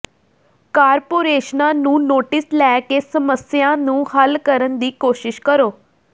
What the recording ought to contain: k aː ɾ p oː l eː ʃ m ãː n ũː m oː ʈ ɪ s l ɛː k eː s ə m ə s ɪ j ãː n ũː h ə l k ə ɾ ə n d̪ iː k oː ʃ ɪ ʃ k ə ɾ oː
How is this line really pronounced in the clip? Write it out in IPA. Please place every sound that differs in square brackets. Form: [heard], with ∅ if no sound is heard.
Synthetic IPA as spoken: k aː ɾ p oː [ɾ] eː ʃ [n] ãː n ũː [n] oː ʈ ɪ s l ɛː k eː s ə m ə s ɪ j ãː n ũː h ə l k ə ɾ ə n d̪ iː k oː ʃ ɪ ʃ k ə ɾ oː